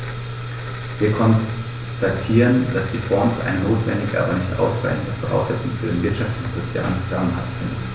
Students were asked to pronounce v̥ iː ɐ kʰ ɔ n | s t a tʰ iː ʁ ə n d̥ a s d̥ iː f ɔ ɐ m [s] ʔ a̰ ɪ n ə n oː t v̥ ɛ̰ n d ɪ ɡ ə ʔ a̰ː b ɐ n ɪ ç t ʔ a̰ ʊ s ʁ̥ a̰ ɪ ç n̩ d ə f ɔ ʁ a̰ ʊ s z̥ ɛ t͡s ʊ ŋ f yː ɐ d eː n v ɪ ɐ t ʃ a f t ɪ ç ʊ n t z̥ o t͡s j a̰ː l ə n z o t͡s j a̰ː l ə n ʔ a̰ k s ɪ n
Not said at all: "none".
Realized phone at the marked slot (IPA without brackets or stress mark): s